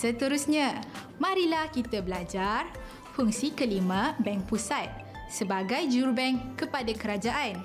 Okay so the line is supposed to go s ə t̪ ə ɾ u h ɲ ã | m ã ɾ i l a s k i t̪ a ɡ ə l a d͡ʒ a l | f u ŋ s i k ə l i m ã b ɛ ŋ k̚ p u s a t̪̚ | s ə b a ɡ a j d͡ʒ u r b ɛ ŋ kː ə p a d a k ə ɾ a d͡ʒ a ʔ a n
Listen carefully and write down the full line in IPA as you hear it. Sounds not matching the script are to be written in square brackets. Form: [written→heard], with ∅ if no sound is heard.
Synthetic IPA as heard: s ə t̪ ə ɾ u [h→s] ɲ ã | m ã ɾ i l a [s→h] k i t̪ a [ɡ→b] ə l a d͡ʒ a [l→r] | f u ŋ s i k ə l i m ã b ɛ ŋ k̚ p u s a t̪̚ | s ə b a ɡ a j d͡ʒ u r b ɛ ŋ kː ə p a d a k ə ɾ a d͡ʒ a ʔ a n